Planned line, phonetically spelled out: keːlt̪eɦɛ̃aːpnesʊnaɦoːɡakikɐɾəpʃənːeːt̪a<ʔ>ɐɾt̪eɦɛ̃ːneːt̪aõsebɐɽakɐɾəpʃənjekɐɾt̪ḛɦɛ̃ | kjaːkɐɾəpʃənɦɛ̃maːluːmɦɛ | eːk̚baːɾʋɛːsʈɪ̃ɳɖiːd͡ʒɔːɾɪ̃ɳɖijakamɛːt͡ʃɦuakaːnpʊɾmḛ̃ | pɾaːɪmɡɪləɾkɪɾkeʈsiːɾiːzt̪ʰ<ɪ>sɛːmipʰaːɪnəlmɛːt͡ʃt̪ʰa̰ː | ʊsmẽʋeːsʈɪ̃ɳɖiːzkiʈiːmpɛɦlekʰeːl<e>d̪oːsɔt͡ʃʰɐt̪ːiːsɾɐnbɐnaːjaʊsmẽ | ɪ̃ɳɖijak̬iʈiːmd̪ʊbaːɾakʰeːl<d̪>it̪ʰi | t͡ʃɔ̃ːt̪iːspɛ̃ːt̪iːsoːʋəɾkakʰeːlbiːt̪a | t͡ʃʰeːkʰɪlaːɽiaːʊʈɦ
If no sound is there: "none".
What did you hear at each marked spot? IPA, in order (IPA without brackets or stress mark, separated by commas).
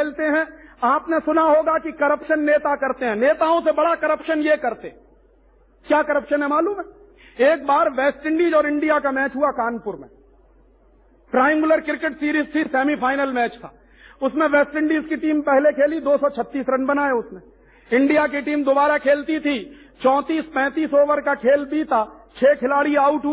k, i, i, t̪